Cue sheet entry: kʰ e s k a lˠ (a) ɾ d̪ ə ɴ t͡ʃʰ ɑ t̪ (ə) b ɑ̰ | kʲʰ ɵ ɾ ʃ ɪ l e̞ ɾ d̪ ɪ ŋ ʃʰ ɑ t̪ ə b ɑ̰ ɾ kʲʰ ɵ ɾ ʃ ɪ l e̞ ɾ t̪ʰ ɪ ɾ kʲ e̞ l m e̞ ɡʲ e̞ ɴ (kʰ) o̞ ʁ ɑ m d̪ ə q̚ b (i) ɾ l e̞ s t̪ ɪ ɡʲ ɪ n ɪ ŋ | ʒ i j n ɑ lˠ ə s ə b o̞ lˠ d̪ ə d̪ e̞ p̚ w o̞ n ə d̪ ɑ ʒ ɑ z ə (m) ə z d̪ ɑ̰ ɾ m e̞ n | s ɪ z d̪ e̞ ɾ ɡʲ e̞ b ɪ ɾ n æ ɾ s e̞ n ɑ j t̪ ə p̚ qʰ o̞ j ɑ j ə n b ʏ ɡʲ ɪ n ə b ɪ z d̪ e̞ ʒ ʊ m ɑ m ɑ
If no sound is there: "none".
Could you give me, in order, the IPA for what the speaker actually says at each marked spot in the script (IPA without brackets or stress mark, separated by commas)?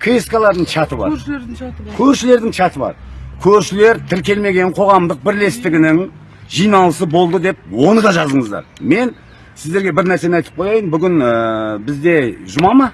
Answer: ɑ, ə, qʰ, ɪ, ɴ